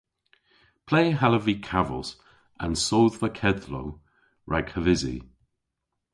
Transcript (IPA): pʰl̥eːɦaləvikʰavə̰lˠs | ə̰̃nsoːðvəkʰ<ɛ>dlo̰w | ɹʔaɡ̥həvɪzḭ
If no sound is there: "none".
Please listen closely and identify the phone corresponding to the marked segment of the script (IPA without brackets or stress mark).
ɛ